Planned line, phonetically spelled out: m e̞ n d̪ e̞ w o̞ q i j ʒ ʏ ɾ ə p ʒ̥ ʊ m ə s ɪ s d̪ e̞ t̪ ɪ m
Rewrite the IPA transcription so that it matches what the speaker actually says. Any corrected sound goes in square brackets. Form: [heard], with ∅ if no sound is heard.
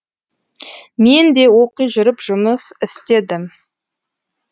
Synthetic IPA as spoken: m e̞ n d̪ e̞ w o̞ q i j ʒ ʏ ɾ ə p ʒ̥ ʊ m ə s ɪ s [t̪] e̞ [d̪] ɪ m